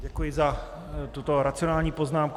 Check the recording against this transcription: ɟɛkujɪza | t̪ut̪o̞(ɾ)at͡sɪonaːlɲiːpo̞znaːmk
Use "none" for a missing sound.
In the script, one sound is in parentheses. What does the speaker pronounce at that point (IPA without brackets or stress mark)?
ɾ